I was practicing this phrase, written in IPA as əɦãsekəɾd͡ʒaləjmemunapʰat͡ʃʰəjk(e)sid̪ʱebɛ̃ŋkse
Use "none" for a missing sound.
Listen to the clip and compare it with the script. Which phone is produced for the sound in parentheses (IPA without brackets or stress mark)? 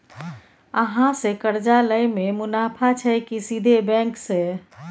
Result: i